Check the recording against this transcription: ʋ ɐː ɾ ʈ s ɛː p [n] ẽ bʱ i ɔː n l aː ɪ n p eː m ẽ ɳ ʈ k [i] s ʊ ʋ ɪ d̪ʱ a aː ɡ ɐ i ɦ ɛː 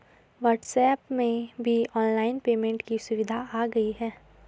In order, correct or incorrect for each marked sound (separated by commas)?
incorrect, correct